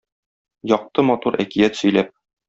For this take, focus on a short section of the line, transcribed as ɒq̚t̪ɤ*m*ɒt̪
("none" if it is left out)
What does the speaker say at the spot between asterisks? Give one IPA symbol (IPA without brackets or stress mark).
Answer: m